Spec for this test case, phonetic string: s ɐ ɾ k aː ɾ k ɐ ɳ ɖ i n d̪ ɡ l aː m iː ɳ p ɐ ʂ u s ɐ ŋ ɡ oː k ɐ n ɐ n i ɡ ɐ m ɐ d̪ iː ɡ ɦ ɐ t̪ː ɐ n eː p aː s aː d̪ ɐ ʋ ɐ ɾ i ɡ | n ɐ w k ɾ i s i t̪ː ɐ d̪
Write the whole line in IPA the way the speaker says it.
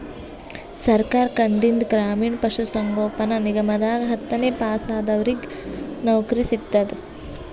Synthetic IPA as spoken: s ɐ ɾ k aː ɾ k ɐ ɳ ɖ i n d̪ ɡ ɾ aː m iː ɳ p ɐ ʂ u s ɐ ŋ ɡ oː p ɐ n ɐ n i ɡ ɐ m ɐ d̪ aː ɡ ɦ ɐ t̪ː ɐ n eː p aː s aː d̪ ɐ ʋ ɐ ɾ i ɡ | n ɐ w k ɾ i s i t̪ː ɐ d̪